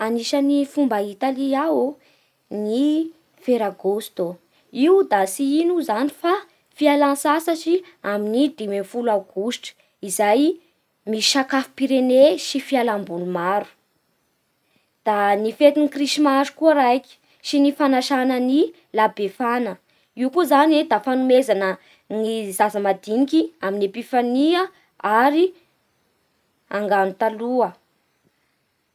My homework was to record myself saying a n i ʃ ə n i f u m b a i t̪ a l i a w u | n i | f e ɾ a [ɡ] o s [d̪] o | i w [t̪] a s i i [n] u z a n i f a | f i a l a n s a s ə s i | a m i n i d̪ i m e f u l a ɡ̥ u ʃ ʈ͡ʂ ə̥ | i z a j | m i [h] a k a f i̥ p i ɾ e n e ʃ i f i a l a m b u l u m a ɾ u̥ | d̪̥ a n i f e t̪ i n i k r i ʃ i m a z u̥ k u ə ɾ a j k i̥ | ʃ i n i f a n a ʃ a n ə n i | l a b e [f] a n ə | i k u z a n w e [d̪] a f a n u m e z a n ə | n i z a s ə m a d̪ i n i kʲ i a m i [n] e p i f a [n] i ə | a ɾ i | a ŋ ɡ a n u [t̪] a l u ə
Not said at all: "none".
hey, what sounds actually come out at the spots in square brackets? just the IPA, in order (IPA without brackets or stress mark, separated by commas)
ɡ, t̪, d̪, n, ʃ, f, d̪, n, n, t̪